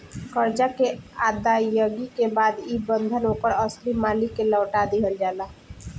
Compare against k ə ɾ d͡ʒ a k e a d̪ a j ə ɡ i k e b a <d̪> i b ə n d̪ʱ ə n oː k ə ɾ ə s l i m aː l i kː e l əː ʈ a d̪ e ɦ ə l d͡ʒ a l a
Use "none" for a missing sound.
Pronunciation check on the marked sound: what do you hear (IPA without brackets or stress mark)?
d̪